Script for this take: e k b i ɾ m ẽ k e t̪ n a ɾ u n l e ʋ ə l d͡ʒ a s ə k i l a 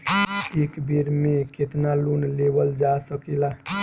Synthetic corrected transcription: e k b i ɾ m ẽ k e t̪ n a l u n l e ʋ ə l d͡ʒ a s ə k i l a